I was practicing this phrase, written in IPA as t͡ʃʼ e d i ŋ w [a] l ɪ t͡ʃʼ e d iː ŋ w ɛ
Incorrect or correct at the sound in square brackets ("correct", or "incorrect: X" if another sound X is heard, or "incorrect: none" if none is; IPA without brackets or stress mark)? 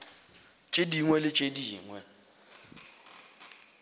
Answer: incorrect: ɛ